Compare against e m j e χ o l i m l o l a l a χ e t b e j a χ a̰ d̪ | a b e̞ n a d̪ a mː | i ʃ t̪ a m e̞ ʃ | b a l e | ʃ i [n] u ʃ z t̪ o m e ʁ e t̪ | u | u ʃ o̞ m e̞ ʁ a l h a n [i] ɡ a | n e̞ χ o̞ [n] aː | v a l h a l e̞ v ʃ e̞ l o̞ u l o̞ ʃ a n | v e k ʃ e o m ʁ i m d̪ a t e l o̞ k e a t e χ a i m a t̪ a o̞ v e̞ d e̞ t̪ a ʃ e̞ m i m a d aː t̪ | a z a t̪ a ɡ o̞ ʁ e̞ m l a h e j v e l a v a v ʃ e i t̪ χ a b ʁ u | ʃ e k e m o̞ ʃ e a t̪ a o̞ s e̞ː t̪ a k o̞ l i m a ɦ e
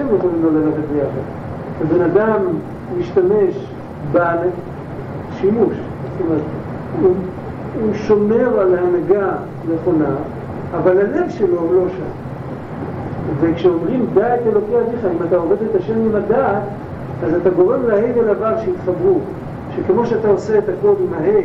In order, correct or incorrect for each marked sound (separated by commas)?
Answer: incorrect, incorrect, correct